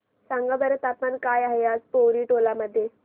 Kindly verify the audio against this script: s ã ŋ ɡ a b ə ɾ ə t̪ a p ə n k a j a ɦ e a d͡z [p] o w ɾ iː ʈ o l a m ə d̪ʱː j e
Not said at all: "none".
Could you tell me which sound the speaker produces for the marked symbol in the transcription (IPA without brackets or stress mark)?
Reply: p